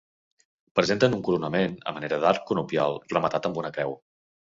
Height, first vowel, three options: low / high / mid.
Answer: mid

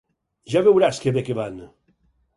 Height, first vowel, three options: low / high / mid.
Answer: low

